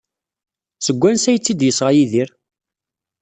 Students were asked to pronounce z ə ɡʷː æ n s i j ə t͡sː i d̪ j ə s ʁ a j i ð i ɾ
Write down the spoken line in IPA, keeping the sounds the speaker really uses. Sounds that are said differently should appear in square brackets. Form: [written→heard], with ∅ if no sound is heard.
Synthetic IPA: [z→s] ə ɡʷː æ n s [i→æ] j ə t͡sː i d̪ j ə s ʁ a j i ð i ɾ